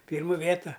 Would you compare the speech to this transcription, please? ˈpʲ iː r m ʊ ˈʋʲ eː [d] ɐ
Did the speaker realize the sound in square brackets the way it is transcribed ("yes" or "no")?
no